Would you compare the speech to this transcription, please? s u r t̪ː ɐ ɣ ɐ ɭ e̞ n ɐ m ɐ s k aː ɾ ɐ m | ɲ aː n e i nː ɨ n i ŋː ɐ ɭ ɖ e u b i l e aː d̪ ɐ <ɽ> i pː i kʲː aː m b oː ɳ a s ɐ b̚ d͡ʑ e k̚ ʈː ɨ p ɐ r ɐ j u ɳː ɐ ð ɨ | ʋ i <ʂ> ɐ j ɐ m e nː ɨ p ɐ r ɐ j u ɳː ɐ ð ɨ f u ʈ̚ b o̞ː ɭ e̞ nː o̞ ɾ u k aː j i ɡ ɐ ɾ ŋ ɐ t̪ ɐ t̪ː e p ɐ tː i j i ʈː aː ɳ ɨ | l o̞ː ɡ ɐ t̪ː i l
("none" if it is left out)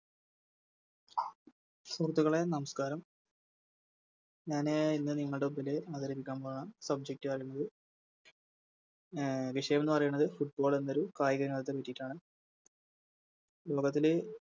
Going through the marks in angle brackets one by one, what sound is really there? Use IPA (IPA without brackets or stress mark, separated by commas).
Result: ɾ, ʂ